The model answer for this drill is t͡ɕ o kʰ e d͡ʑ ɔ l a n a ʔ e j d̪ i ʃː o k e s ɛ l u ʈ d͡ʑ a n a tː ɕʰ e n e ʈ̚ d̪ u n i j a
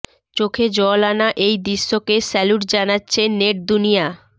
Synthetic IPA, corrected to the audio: t͡ɕ o kʰ e d͡ʑ ɔ l a n a ʔ e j d̪ i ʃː o k e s ɛ l u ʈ d͡ʑ a n a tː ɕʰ e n e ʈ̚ d̪ u n i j a